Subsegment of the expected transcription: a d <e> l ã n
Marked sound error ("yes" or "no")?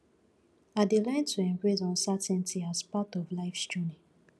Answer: no